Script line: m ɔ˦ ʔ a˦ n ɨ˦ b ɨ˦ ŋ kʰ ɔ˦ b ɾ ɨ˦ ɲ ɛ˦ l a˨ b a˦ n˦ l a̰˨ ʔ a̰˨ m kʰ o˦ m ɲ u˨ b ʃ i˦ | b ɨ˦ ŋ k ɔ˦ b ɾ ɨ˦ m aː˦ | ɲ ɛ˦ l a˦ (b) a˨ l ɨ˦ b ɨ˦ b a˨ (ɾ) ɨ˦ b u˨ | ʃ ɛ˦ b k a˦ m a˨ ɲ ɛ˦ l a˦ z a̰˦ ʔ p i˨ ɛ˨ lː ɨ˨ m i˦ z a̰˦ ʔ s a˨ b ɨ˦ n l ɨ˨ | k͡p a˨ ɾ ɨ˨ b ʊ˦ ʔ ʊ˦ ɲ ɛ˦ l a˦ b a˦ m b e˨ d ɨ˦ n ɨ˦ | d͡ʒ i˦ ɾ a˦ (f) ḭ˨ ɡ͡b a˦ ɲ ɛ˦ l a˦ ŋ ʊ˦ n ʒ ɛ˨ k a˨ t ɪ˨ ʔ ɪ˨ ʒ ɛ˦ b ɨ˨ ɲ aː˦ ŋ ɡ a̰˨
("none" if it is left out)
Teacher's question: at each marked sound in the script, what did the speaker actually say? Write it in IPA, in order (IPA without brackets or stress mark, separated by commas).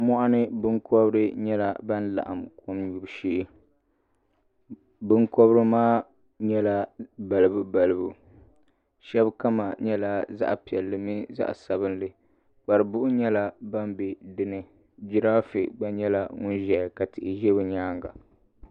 b, l, f